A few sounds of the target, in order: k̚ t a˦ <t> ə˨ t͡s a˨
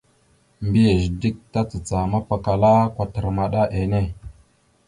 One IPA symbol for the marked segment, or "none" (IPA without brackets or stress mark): t͡s